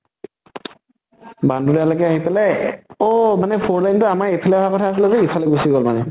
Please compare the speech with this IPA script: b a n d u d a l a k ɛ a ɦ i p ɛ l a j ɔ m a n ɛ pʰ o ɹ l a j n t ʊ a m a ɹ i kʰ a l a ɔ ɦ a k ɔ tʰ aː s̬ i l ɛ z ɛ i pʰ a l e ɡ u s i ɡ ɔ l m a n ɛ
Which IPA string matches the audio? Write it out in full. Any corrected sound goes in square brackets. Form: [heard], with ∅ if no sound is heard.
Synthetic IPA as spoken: b a n d u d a l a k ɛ a ɦ i p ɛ l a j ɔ m a n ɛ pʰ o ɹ l a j n t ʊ a m a ɹ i [pʰ] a l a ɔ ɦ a k ɔ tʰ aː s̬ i l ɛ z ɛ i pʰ a l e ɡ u s i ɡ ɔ l m a n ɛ